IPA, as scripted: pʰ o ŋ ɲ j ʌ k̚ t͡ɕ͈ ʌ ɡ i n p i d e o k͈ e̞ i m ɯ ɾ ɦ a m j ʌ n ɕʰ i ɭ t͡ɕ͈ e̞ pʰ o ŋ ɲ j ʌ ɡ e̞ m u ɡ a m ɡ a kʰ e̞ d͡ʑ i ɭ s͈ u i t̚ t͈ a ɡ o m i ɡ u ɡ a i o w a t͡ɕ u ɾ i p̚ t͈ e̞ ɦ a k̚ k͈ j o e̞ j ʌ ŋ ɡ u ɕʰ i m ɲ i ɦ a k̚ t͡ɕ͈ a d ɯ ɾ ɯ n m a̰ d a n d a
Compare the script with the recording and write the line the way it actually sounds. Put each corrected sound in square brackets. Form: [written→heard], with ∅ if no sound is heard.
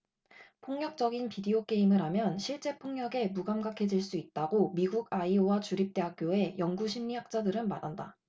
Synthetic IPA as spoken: pʰ o ŋ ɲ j ʌ k̚ t͡ɕ͈ ʌ ɡ i n p i d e o k͈ e̞ i m ɯ ɾ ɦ a m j ʌ n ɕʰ i ɭ t͡ɕ͈ e̞ pʰ o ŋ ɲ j ʌ ɡ e̞ m u ɡ a m ɡ a kʰ e̞ d͡ʑ i ɭ s͈ u i t̚ t͈ a ɡ o m i ɡ u ɡ a i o w a t͡ɕ u ɾ i p̚ t͈ e̞ ɦ a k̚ k͈ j o e̞ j ʌ ŋ ɡ u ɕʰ i m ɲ i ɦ a k̚ t͡ɕ͈ a d ɯ ɾ ɯ n m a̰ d a n d a